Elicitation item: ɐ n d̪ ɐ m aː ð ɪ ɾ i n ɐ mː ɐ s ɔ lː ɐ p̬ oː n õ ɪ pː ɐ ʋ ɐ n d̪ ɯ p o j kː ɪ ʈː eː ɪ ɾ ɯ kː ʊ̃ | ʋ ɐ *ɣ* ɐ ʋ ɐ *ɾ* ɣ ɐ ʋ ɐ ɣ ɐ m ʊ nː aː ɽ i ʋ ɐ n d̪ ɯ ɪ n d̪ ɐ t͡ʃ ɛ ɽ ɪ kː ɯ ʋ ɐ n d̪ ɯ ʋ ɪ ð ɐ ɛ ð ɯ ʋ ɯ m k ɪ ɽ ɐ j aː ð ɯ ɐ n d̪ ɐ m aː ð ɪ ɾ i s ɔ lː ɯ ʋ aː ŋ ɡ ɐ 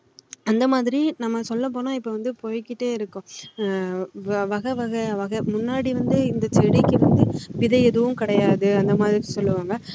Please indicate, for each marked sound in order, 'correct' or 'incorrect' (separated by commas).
correct, incorrect